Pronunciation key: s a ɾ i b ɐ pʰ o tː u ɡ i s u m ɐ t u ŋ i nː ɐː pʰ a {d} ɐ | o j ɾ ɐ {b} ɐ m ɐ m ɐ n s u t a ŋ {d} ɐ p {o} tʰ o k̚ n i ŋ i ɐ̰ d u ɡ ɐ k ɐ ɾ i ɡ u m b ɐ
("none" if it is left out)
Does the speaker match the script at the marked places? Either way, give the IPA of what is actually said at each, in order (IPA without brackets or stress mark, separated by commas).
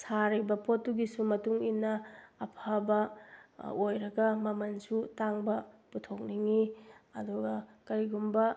b, ɡ, b, u